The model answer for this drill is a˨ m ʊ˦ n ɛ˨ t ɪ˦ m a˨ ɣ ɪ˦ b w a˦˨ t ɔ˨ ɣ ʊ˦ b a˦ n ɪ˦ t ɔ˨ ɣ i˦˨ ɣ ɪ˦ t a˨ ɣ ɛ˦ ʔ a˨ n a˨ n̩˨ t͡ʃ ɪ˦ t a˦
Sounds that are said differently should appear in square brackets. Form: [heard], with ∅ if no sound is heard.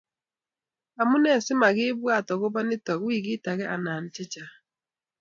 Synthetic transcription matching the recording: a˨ m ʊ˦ n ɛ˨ [s] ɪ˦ m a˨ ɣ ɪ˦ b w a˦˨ t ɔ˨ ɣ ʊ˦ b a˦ n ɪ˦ t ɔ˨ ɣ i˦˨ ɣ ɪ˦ t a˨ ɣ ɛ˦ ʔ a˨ n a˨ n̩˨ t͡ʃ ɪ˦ [t͡ʃ] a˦